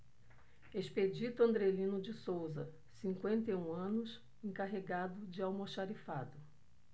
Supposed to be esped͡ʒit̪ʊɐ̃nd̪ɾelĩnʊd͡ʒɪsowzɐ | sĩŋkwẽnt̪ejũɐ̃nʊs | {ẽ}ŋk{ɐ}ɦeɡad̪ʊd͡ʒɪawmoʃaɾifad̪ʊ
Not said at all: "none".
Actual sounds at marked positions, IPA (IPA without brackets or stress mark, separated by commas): ẽ, a